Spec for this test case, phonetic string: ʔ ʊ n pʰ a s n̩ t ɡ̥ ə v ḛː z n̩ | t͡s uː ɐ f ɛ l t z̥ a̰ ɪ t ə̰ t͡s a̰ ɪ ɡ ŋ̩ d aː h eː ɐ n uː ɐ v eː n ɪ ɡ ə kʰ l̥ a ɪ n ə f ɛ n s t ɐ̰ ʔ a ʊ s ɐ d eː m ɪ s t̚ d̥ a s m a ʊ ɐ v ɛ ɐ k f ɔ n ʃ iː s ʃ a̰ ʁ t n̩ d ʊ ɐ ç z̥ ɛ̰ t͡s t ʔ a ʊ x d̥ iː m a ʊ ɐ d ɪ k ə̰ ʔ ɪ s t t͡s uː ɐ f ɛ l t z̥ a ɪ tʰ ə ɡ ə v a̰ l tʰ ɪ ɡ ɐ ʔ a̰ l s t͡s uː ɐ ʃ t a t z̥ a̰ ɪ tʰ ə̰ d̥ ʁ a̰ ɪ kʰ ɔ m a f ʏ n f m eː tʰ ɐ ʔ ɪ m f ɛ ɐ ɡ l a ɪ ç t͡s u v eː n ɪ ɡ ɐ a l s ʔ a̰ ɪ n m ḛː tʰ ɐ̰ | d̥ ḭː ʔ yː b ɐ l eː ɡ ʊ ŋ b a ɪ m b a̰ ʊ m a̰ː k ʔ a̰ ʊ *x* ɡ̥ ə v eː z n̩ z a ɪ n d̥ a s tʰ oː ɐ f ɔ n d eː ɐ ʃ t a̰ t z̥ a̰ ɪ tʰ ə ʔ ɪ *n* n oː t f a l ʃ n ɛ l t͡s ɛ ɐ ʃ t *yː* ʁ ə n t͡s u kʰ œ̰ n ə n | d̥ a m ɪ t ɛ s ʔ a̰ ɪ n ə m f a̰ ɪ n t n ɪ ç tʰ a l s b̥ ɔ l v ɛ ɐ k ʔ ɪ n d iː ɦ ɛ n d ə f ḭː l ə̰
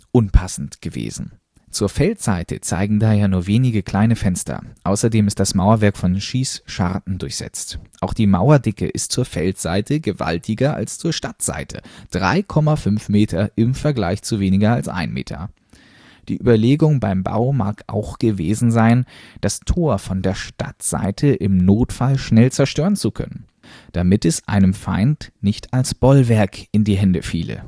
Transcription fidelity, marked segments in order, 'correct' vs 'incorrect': correct, incorrect, incorrect

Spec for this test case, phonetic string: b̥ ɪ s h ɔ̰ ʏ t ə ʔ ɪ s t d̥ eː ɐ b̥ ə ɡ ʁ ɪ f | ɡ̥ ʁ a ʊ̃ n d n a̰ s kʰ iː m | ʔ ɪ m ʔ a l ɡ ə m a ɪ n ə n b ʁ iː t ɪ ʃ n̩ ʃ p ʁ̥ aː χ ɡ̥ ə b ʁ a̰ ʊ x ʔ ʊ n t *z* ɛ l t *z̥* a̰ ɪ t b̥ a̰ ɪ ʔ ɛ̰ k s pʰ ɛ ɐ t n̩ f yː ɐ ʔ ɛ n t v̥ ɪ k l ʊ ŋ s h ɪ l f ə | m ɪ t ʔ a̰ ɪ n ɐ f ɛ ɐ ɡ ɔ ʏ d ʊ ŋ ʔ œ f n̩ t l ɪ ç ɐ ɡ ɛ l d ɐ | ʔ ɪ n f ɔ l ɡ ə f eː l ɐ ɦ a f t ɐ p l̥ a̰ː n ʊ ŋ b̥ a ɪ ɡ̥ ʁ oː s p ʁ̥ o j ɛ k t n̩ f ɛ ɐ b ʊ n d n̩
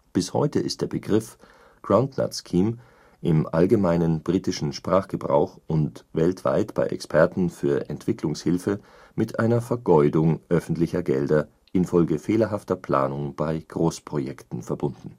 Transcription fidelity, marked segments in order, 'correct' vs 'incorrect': incorrect, incorrect

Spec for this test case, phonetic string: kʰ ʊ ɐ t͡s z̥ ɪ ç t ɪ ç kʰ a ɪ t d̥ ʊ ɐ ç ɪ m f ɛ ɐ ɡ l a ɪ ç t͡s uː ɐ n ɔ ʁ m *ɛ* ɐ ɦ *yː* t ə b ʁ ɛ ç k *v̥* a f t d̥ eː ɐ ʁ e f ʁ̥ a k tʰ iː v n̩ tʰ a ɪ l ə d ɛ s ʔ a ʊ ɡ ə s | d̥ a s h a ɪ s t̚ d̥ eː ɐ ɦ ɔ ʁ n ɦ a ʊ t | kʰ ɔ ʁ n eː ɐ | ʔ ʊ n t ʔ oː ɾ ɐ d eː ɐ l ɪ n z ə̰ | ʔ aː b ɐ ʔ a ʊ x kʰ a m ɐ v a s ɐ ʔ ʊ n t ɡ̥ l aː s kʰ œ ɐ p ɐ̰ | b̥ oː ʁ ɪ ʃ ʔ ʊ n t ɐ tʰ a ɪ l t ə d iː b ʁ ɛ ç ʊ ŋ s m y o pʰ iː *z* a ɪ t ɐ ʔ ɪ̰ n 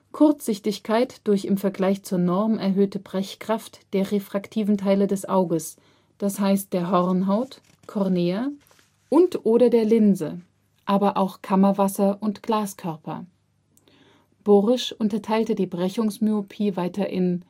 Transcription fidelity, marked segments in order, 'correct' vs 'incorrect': correct, incorrect, incorrect, incorrect

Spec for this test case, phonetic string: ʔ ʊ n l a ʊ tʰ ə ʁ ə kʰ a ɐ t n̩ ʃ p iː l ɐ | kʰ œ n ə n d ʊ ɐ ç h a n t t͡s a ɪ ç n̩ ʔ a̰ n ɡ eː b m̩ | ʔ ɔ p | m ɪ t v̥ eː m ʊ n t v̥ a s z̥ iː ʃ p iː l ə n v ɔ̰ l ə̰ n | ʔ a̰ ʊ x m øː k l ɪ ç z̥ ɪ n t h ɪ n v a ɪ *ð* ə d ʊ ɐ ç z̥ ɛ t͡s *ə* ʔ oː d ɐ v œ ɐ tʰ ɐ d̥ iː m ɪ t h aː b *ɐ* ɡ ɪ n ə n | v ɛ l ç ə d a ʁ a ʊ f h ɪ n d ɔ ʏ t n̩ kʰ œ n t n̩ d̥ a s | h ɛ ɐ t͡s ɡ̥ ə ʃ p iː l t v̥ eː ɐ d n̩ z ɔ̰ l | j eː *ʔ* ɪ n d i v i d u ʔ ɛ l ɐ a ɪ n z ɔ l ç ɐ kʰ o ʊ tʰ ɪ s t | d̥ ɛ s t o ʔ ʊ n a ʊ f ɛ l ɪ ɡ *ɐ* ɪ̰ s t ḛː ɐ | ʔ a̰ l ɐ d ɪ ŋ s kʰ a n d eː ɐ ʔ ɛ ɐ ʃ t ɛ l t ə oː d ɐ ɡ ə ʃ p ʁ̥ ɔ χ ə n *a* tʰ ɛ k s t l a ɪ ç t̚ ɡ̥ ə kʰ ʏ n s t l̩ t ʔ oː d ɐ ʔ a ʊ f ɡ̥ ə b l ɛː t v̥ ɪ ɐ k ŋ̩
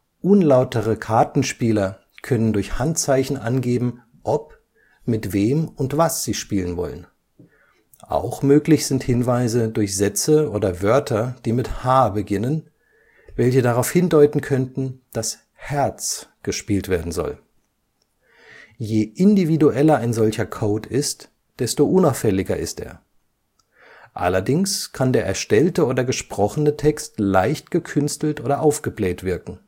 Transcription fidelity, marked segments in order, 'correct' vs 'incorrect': incorrect, correct, incorrect, correct, correct, incorrect

